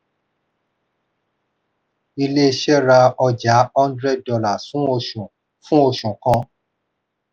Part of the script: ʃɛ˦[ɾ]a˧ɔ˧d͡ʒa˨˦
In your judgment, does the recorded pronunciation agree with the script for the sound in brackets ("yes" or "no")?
yes